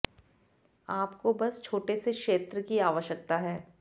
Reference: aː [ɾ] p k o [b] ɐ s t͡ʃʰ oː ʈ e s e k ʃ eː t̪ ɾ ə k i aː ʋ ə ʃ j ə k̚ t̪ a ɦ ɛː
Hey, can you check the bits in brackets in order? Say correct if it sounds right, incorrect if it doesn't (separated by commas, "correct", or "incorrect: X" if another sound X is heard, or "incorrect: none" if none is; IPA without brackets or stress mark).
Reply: incorrect: none, correct